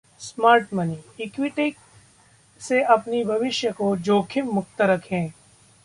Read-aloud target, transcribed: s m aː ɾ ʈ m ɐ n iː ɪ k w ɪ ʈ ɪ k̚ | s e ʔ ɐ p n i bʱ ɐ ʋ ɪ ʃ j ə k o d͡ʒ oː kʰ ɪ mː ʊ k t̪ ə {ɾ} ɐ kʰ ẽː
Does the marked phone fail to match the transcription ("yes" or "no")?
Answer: no